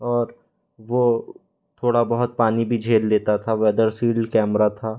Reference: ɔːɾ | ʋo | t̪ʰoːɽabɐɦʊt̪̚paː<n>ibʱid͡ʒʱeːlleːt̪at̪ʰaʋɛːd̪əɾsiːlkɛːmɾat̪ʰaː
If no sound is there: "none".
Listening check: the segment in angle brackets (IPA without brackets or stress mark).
n